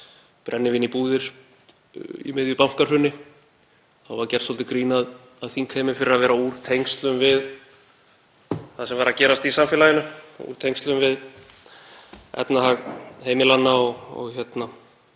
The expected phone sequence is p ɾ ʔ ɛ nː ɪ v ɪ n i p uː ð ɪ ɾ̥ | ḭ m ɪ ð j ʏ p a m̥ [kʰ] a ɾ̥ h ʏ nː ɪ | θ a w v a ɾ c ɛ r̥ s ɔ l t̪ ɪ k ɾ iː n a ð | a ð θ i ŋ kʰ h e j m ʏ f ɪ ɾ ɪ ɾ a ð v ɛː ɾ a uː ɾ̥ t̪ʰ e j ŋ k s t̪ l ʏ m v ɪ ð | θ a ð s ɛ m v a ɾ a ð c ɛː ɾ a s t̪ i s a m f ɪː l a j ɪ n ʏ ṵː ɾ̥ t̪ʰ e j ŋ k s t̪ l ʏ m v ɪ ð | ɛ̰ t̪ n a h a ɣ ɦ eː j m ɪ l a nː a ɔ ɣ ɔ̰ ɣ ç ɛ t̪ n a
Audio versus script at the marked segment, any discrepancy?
yes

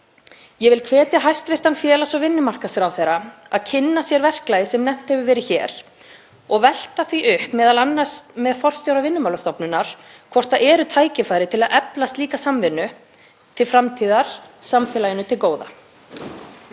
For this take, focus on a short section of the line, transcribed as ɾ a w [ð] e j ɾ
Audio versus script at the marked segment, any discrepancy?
yes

